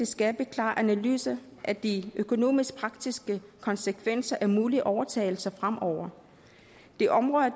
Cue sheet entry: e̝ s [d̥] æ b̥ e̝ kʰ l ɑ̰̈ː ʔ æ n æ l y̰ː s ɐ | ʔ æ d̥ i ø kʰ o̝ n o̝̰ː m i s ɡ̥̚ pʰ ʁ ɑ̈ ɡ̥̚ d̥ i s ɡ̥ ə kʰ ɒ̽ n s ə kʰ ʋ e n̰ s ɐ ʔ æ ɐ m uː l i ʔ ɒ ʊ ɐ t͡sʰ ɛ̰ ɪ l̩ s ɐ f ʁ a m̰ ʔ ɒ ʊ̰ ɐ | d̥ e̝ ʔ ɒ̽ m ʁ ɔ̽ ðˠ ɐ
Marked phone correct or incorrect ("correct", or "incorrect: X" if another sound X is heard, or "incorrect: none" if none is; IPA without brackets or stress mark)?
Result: incorrect: ɡ̥